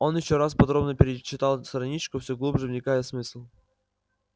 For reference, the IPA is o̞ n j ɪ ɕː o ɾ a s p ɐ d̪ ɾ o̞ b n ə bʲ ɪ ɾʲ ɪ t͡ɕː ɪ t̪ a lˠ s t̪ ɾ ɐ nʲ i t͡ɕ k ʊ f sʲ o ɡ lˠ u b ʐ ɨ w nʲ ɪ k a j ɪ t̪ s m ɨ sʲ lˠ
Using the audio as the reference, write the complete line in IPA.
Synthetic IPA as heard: o̞ n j ɪ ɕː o ɾ a s p ɐ d̪ ɾ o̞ b n ə pʲ ɪ ɾʲ ɪ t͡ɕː ɪ t̪ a lˠ s t̪ ɾ ɐ nʲ i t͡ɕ k ʊ f sʲ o ɡ lˠ u b ʐ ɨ v nʲ ɪ k a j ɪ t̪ s m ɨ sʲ lˠ